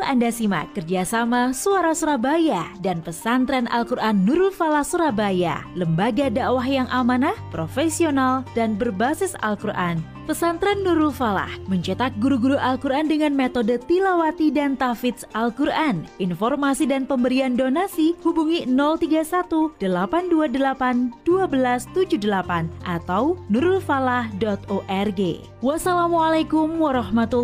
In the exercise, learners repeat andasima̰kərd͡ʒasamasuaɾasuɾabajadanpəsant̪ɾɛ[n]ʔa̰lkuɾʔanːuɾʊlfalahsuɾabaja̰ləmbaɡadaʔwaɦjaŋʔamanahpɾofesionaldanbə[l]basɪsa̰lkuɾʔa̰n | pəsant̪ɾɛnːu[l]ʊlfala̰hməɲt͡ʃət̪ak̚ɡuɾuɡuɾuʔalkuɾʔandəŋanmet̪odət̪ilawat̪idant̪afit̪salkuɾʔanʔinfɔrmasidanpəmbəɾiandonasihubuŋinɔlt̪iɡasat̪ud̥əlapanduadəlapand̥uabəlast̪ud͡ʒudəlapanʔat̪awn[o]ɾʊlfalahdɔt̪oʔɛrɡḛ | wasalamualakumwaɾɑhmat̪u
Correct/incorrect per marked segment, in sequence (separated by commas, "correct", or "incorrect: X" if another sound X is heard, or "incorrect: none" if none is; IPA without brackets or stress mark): correct, incorrect: r, incorrect: ɾ, incorrect: u